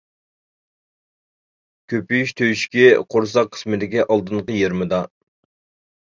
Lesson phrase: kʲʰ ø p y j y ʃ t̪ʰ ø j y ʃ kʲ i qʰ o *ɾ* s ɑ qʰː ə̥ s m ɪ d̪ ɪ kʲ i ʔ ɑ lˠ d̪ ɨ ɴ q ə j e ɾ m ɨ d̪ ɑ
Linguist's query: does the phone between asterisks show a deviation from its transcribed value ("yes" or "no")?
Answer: no